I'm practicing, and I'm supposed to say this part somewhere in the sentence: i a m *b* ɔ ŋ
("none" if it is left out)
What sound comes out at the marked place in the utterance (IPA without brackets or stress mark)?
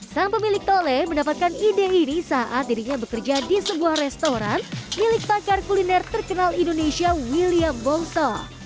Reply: b